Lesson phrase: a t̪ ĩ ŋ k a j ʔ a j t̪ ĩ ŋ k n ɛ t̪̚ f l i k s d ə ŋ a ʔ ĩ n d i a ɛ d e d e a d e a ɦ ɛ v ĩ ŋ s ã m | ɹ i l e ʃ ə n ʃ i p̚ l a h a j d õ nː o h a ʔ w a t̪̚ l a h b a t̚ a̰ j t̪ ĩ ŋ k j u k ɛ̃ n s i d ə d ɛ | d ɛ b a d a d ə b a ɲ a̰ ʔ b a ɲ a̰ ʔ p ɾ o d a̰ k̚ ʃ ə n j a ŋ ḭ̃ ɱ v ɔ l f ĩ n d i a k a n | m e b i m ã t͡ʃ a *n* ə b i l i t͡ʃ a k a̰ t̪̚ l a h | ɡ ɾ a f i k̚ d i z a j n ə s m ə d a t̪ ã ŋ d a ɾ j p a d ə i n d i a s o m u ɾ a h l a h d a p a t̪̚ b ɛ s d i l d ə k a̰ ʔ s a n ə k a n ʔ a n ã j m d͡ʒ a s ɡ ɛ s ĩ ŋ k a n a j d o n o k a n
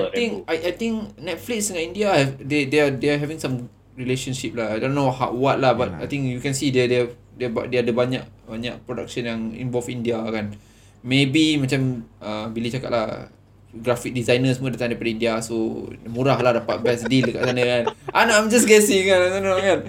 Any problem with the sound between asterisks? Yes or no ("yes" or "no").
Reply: yes